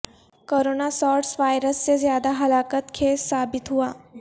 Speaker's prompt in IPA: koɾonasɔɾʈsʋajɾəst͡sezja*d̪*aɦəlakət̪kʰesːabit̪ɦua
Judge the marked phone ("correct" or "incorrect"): correct